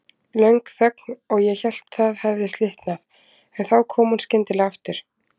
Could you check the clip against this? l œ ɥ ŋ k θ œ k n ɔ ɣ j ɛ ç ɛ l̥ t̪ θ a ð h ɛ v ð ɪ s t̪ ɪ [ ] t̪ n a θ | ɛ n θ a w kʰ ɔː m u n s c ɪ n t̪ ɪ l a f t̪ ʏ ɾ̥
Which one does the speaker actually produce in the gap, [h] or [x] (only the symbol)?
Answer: h